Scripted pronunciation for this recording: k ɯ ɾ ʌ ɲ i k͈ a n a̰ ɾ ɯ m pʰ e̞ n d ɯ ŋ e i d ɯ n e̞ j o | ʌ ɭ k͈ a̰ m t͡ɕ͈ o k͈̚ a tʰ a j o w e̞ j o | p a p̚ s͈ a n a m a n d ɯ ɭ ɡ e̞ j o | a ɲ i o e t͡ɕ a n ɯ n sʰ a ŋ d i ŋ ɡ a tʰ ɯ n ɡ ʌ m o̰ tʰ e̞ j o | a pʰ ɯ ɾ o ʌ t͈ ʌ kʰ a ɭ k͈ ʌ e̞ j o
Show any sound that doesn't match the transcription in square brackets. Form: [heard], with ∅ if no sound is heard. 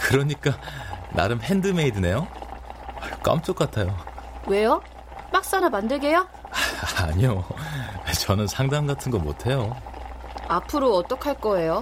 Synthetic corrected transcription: k ɯ ɾ ʌ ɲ i k͈ a n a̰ ɾ ɯ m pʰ e̞ n d ɯ [m] e i d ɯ n e̞ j o | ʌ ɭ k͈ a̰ m t͡ɕ͈ o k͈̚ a tʰ a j o w e̞ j o | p a [k̚] s͈ a n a m a n d ɯ ɭ ɡ e̞ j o | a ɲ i o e t͡ɕ [ʌ] n ɯ n sʰ a ŋ d [a] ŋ ɡ a tʰ ɯ n ɡ ʌ m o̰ tʰ e̞ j o | a pʰ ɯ ɾ o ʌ t͈ ʌ kʰ a ɭ k͈ ʌ e̞ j o